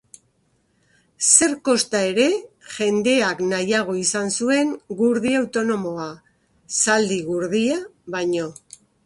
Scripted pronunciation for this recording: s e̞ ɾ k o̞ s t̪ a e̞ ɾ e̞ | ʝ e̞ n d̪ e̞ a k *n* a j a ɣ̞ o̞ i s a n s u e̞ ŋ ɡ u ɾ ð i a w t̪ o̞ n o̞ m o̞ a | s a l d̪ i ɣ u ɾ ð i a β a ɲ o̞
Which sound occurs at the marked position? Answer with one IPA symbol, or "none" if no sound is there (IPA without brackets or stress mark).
n